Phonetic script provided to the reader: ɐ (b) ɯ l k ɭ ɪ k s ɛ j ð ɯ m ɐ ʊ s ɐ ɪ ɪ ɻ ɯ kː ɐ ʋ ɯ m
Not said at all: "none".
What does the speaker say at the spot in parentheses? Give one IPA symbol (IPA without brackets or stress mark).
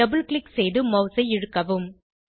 b